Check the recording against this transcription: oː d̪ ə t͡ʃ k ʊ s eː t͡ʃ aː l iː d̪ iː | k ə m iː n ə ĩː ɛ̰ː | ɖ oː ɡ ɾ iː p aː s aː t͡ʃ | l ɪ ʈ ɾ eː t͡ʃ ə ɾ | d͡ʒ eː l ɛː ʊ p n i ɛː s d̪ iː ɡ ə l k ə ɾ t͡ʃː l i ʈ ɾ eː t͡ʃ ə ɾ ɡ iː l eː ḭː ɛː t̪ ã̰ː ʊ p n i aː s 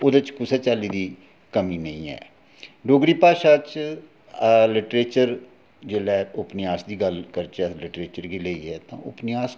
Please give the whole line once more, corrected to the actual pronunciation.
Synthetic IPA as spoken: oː d̪ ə t͡ʃ k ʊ s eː t͡ʃ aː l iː d̪ iː | k ə m iː n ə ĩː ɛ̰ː | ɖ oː ɡ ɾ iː p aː ʃ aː t͡ʃ | l ɪ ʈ ɾ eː t͡ʃ ə ɾ | d͡ʒ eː l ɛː ʊ p n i aː s d̪ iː ɡ ə l k ə ɾ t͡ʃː l ɪ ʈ ɾ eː t͡ʃ ə ɾ ɡ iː l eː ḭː ɛː t̪ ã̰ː ʊ p n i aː s

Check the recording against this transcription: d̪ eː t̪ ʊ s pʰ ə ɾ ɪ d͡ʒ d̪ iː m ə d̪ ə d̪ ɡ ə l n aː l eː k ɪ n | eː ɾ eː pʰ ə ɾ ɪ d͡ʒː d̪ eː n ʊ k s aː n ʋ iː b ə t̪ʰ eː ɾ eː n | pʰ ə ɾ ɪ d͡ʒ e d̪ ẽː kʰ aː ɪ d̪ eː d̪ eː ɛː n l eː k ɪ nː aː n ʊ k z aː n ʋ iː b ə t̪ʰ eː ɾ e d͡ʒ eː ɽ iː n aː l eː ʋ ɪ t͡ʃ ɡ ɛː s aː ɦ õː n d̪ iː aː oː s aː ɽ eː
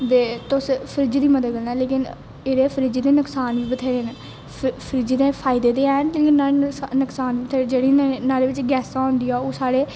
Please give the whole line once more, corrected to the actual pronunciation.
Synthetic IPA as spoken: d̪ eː t̪ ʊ s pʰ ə ɾ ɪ d͡ʒ d̪ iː m ə d̪ ə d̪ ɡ ə l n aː l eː k ɪ n | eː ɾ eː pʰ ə ɾ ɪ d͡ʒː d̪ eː n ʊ k s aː n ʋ iː b ə t̪ʰ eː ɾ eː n | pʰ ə ɾ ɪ d͡ʒ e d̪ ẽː pʰ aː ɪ d̪ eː d̪ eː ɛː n l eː k ɪ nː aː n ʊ k s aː n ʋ iː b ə t̪ʰ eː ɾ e d͡ʒ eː ɽ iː n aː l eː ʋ ɪ t͡ʃ ɡ ɛː s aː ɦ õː n d̪ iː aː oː s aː ɽ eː

